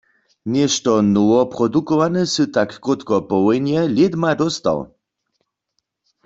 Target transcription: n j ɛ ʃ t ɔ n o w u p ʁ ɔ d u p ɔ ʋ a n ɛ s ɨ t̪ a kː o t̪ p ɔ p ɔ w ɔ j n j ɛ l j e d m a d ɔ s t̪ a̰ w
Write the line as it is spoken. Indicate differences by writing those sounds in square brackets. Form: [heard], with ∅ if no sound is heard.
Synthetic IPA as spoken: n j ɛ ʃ t ɔ n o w [ɔ] p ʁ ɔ d u [k] ɔ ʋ a n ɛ s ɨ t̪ a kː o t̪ [k] ɔ p ɔ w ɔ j n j ɛ l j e d m a d ɔ s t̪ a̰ w